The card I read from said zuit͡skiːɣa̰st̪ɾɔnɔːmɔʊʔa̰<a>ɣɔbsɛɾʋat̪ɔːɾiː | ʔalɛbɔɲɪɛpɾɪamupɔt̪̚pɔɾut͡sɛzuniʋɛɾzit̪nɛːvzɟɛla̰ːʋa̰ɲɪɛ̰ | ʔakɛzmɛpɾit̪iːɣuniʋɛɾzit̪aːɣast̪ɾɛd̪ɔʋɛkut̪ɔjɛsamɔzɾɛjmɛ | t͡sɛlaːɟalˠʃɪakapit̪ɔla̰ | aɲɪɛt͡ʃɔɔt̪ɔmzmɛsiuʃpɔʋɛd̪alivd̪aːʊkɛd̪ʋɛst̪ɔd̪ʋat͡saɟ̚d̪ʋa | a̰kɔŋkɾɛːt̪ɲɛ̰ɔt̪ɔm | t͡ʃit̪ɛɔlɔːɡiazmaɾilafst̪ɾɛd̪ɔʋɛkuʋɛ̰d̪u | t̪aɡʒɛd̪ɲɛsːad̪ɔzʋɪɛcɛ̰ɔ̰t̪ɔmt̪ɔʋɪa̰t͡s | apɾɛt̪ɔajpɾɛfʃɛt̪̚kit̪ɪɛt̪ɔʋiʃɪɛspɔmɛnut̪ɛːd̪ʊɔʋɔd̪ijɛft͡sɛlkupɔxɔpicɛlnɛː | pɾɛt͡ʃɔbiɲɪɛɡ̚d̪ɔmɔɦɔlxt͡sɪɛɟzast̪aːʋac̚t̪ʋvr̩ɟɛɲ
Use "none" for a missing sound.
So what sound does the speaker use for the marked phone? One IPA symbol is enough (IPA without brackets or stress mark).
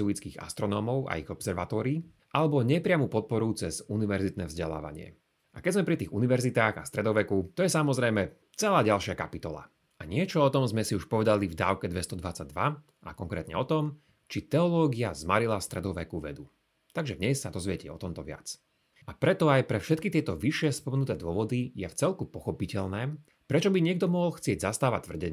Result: i